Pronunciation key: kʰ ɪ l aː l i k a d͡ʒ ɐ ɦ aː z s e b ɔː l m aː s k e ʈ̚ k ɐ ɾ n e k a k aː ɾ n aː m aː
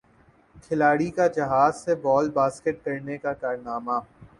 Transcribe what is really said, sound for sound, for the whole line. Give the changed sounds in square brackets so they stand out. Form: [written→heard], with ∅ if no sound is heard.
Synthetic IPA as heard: kʰ ɪ l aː [l→ɽ] i k a d͡ʒ ɐ ɦ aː z s e b ɔː l [m→b] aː s k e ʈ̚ k ɐ ɾ n e k a k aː ɾ n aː m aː